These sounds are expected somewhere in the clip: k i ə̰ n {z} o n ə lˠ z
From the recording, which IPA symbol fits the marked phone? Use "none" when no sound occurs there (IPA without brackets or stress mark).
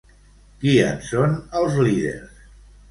s